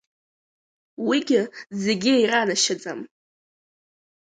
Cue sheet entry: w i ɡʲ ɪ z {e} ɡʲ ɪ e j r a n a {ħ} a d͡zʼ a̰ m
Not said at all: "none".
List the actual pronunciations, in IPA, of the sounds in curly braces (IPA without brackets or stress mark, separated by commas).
e, ʃ